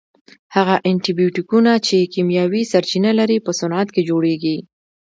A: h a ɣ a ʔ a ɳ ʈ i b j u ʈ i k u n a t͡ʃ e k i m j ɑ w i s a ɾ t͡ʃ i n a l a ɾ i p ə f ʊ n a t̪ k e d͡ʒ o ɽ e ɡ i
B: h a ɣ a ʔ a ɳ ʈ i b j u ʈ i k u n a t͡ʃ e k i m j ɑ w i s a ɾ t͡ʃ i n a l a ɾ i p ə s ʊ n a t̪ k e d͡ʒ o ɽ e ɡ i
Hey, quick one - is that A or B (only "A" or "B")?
B